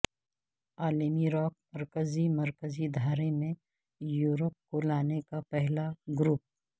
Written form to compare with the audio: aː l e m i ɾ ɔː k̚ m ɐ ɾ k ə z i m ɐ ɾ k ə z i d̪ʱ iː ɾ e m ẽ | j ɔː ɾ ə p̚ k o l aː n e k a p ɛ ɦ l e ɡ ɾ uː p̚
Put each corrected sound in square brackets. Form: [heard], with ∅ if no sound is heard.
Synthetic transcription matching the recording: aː l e m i ɾ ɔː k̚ m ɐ ɾ k ə z i m ɐ ɾ k ə z i d̪ʱ [aː] ɾ e m ẽ | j [uː] ɾ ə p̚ k o l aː n e k a p ɛ ɦ l [a] ɡ ɾ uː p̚